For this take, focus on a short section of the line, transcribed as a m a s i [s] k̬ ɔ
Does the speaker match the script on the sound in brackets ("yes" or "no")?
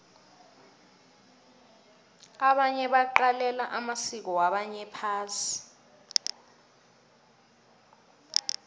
no